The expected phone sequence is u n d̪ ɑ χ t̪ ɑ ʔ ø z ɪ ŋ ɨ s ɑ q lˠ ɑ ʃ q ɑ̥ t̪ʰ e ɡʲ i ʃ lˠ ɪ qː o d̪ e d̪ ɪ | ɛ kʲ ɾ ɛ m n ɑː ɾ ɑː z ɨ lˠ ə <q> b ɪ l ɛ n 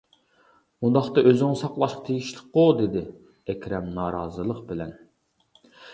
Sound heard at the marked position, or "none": q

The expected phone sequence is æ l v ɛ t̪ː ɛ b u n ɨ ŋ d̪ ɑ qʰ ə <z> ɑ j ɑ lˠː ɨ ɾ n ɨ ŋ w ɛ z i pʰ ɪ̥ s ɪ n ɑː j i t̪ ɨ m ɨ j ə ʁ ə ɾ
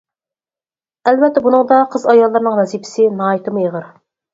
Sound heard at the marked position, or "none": z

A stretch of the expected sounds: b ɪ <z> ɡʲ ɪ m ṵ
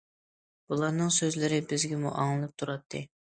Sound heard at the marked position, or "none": z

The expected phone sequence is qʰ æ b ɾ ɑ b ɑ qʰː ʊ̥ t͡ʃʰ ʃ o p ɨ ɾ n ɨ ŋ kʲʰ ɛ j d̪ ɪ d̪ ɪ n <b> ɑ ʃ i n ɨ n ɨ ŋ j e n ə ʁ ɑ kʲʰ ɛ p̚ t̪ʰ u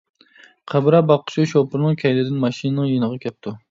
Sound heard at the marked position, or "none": m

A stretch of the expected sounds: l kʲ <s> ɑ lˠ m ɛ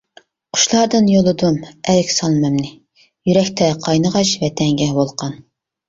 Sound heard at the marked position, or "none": s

